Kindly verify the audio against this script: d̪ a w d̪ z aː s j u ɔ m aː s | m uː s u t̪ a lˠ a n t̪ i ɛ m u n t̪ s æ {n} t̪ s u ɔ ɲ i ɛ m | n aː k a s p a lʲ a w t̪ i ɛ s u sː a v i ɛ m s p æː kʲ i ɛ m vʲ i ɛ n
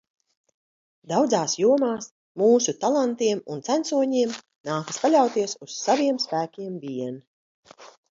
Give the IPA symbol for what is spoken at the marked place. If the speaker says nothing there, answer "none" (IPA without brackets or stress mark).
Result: n